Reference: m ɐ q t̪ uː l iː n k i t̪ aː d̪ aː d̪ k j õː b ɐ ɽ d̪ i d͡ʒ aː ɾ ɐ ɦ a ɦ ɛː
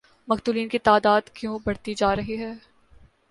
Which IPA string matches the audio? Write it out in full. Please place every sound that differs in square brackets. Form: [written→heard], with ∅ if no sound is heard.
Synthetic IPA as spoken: m ɐ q t̪ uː l iː n k i t̪ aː d̪ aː d̪ k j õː b ɐ ɽ [d̪→t̪] i d͡ʒ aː ɾ ɐ ɦ [a→i] ɦ ɛː